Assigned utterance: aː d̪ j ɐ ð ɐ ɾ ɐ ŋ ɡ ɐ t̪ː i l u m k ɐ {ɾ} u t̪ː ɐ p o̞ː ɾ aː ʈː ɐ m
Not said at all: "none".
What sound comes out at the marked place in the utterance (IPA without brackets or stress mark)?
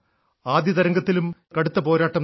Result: ɽ